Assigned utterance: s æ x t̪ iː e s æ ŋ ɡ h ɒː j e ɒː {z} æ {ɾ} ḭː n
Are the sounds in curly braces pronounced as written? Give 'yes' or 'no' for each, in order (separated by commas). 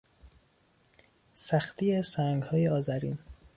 yes, yes